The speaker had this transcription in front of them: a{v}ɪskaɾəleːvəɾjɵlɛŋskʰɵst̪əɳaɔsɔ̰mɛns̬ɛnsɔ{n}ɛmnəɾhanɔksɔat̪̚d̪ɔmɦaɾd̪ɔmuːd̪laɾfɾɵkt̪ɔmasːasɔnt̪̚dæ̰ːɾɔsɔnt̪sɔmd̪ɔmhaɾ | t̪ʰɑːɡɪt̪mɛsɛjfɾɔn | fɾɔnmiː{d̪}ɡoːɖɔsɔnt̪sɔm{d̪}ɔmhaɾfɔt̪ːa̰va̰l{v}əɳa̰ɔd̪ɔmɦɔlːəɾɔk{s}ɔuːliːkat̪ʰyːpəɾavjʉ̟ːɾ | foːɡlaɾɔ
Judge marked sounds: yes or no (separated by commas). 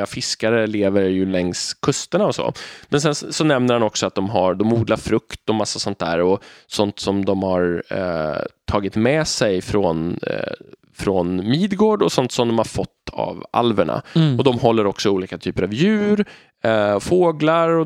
no, yes, yes, yes, yes, yes